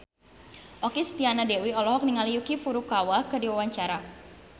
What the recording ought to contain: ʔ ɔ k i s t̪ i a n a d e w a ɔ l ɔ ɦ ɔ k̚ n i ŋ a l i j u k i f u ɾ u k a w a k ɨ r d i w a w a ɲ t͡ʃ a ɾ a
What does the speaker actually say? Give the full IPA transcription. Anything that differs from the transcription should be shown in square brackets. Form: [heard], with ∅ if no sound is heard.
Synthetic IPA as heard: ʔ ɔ k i s t̪ i a n a d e w [i] ɔ l ɔ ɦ ɔ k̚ n i ŋ a l i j u k i f u ɾ u k a w a k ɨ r d i w a w a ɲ t͡ʃ a ɾ a